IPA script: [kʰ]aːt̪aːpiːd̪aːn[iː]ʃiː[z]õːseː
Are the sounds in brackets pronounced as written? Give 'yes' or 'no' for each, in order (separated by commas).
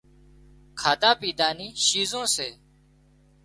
yes, yes, yes